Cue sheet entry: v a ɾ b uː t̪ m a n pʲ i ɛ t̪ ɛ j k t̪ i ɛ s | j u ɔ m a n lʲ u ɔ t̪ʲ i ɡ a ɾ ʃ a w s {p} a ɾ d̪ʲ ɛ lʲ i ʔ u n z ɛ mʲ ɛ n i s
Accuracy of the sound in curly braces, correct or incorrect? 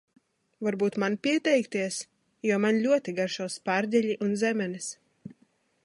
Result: correct